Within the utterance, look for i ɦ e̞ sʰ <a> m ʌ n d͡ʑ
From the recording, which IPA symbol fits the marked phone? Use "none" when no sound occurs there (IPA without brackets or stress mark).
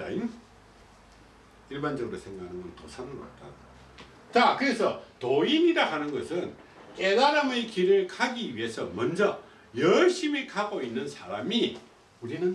ʌ